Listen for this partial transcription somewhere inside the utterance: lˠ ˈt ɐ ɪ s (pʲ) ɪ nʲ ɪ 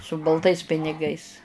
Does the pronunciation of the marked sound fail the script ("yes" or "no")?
no